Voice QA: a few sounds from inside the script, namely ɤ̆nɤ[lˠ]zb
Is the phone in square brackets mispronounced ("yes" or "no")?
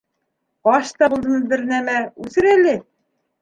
yes